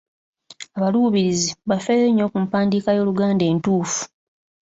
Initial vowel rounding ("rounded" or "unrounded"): unrounded